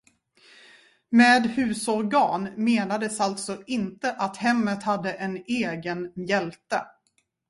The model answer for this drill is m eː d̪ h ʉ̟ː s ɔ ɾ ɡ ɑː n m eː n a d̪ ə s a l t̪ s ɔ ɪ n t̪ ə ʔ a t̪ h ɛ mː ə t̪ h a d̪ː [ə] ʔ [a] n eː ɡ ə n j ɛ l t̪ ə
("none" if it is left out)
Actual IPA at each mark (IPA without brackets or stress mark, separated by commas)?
ə, ɛ